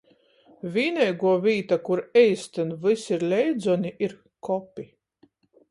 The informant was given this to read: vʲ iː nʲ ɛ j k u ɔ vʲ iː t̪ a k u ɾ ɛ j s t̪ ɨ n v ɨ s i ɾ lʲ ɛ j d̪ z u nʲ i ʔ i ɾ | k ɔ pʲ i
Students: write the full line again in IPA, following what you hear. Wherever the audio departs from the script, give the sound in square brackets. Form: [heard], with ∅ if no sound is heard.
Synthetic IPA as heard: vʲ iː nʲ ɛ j [ɡ] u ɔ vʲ iː t̪ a k u ɾ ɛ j s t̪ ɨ n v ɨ s i ɾ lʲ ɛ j d̪ z [ɔ] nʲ i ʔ i ɾ | k ɔ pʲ i